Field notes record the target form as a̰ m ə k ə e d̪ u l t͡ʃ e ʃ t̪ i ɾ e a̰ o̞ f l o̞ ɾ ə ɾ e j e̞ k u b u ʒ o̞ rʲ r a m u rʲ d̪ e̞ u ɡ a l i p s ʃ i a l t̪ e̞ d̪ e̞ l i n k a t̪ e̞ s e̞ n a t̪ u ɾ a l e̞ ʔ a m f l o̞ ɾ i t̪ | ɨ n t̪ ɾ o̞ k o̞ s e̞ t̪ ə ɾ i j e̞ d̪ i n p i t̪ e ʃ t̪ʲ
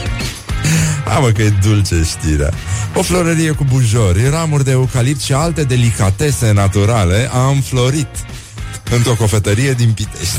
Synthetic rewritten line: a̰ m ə k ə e d̪ u l t͡ʃ e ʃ t̪ i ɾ e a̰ o̞ f l o̞ ɾ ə ɾ i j e̞ k u b u ʒ o̞ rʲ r a m u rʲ d̪ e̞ u k a l i p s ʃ i a l t̪ e̞ d̪ e̞ l i k a t̪ e̞ s e̞ n a t̪ u ɾ a l e̞ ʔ a m f l o̞ ɾ i t̪ | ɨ n t̪ ɾ o̞ k o̞ f e̞ t̪ ə ɾ i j e̞ d̪ i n p i t̪ e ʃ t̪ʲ